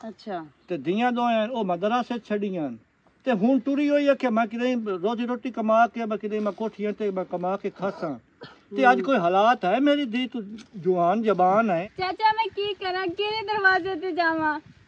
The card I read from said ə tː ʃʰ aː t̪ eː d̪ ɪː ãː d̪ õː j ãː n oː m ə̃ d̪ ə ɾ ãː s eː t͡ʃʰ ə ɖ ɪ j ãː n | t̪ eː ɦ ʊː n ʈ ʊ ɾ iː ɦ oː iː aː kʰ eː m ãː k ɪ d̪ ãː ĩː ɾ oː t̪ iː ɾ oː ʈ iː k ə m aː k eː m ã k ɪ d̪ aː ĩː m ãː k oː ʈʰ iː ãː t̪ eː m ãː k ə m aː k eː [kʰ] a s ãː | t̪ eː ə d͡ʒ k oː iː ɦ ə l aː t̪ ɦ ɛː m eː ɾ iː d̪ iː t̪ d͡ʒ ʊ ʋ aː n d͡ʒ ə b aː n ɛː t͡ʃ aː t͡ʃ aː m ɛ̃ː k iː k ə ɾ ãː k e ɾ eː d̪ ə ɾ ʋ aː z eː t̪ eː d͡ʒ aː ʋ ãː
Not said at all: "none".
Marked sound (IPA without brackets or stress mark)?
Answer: kʰ